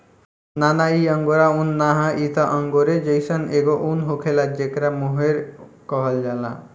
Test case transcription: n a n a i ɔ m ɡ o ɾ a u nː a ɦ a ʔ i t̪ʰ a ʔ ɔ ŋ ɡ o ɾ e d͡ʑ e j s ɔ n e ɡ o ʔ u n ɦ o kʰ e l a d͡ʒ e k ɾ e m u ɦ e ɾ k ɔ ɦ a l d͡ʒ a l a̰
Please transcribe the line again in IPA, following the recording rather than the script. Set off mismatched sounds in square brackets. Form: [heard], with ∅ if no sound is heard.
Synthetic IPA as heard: n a n a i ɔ [ŋ] ɡ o ɾ a u nː a ɦ a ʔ i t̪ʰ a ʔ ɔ ŋ ɡ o ɾ e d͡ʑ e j s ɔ n e ɡ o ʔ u n ɦ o kʰ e l a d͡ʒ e k ɾ [a] m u ɦ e ɾ k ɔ ɦ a l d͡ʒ a l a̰